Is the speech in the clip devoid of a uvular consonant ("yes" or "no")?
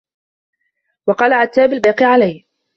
no